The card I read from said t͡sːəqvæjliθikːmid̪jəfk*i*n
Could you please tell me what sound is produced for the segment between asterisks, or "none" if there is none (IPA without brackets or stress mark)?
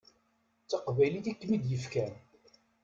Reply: æ